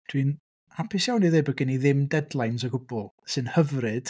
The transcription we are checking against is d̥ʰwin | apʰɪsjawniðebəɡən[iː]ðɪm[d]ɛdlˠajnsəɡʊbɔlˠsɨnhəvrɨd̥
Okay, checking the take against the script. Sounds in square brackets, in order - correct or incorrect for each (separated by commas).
incorrect, correct